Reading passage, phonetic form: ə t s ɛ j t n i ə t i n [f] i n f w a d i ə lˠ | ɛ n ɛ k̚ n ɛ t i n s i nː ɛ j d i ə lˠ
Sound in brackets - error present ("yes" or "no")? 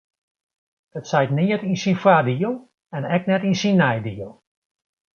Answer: yes